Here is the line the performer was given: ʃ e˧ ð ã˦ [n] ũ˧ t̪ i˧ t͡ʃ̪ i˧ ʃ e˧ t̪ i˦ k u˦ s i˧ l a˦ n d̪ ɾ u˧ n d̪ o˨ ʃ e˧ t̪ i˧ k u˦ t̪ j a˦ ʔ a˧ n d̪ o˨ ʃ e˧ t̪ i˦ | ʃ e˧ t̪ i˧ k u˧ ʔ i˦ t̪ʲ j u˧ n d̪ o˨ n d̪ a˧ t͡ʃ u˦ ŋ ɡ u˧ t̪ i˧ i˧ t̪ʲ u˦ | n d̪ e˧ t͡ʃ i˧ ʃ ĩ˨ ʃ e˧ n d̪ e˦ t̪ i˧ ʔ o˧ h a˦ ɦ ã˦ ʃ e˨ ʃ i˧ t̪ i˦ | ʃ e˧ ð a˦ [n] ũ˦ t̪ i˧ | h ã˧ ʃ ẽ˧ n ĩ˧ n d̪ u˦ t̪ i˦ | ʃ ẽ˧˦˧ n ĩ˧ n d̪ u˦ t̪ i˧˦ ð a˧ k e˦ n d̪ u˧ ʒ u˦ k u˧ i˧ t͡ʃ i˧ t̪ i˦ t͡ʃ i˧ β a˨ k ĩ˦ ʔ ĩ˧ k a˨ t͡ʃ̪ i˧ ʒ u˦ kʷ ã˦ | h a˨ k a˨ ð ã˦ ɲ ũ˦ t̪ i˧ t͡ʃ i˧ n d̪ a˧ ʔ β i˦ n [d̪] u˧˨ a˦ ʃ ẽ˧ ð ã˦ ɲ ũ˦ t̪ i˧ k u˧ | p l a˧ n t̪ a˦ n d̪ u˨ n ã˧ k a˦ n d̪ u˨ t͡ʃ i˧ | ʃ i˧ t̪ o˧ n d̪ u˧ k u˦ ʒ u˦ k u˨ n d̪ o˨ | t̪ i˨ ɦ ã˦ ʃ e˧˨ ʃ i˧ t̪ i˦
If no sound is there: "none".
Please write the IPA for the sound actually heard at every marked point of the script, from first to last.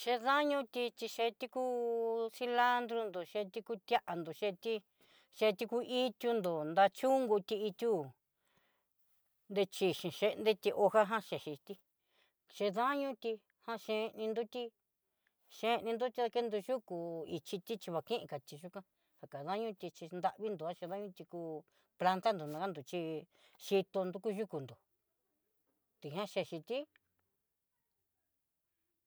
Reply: ɲ, ɲ, d̪

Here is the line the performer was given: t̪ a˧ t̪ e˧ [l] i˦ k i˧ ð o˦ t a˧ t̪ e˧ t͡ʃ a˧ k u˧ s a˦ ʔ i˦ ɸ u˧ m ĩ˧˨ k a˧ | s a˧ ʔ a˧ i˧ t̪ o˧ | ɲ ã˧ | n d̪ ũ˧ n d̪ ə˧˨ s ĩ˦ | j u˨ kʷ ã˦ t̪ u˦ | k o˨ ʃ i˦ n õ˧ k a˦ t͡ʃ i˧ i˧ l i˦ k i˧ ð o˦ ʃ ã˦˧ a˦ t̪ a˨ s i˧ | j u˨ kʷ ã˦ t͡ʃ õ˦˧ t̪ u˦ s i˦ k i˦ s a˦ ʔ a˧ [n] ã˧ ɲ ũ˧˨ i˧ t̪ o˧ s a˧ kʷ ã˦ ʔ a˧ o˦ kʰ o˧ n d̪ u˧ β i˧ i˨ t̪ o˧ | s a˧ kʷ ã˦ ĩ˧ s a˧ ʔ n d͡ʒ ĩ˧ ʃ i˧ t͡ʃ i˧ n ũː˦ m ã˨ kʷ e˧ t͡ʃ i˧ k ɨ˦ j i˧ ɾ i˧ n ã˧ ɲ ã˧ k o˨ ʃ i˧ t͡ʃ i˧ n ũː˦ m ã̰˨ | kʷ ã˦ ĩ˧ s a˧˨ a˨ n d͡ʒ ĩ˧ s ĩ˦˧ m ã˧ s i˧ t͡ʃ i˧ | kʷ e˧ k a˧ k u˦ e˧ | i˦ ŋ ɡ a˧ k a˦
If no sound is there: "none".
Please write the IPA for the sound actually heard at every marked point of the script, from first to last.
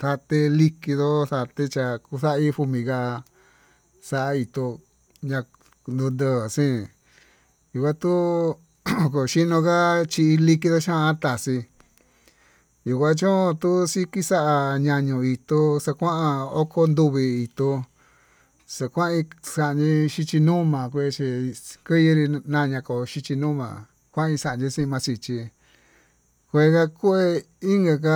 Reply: l, ɲ

